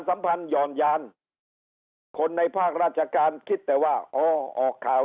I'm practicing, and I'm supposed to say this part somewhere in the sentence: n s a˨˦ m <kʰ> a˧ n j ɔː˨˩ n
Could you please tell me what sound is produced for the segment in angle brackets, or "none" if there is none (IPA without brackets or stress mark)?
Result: pʰ